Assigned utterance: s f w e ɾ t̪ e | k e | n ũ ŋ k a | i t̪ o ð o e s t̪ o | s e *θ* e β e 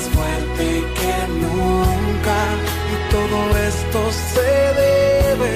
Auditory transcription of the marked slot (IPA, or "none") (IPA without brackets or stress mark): ð